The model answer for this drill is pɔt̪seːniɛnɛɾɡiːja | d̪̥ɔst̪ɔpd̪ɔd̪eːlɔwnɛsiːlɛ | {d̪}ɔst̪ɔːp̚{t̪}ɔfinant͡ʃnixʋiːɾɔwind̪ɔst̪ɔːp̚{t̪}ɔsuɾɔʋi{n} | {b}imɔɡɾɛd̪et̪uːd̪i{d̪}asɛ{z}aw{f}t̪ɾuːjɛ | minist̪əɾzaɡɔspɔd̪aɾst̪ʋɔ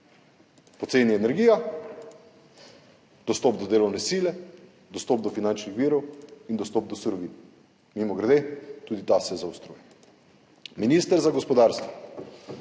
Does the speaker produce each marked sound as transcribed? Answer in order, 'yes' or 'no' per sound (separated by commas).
yes, no, no, yes, no, no, yes, no